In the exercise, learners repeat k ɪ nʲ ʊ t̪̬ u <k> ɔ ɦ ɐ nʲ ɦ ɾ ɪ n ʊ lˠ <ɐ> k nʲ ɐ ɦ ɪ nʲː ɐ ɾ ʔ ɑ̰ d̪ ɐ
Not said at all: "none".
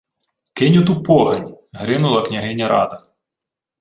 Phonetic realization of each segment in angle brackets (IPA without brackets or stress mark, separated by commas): p, ɐ